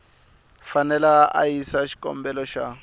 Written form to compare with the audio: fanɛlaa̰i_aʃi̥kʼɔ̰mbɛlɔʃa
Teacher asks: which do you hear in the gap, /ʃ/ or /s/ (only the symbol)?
s